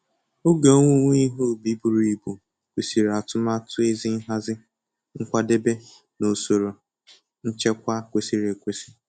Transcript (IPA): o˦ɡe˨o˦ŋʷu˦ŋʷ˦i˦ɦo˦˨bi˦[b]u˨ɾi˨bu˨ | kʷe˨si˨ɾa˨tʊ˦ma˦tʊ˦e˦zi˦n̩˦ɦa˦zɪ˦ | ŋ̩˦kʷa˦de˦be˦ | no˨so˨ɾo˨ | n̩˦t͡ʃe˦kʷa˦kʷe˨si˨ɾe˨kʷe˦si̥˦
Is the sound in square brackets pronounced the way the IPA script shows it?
yes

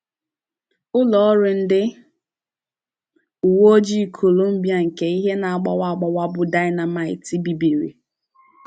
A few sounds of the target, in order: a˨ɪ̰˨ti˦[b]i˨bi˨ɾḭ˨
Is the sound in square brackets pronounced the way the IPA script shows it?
yes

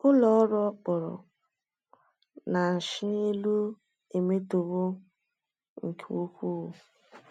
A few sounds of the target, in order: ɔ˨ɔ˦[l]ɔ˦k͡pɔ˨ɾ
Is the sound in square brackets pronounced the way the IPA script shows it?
no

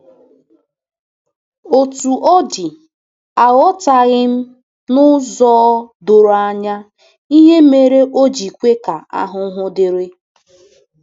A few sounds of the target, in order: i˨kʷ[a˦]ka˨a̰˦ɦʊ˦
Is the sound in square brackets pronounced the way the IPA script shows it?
no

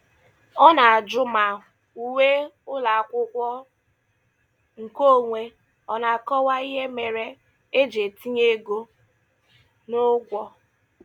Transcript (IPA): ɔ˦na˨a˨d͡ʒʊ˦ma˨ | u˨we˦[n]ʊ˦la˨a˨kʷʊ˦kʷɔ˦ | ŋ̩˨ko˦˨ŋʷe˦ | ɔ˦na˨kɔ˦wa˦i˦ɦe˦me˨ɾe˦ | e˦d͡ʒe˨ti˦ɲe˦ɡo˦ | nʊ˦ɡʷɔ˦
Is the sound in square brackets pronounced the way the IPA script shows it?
no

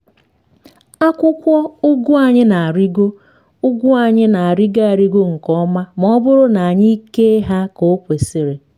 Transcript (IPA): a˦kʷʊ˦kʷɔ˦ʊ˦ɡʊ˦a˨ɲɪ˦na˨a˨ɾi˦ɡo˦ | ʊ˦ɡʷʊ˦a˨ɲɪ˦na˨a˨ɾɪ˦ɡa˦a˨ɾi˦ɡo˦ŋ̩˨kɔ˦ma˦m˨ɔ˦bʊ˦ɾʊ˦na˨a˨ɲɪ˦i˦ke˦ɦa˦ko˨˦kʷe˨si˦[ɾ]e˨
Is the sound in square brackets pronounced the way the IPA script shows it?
yes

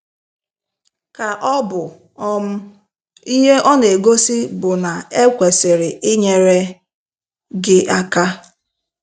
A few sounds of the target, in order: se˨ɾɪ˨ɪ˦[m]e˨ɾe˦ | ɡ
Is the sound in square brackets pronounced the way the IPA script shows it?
no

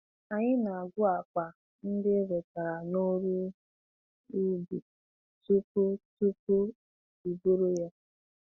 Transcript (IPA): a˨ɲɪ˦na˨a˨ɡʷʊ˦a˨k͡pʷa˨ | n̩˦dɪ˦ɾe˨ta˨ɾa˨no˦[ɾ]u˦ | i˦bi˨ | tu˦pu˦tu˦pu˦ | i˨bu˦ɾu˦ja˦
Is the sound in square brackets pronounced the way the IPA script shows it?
yes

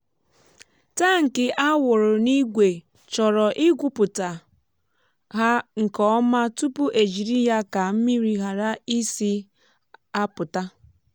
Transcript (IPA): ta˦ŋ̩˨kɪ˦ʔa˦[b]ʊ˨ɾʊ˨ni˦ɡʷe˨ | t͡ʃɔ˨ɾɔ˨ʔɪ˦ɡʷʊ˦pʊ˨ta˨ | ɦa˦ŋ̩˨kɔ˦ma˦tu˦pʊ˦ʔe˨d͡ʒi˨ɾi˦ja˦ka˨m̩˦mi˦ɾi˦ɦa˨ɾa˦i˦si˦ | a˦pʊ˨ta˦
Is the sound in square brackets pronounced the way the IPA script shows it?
no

